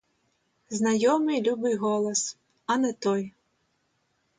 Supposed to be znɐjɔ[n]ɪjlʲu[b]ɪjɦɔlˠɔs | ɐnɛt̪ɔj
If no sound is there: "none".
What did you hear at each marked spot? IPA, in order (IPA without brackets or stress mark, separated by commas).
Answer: m, b